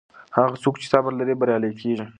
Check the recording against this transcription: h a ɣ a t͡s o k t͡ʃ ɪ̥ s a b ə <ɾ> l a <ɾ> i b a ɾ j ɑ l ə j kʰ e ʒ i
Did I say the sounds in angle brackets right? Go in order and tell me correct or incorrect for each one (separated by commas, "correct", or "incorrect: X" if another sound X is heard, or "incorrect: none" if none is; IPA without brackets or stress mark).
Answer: correct, correct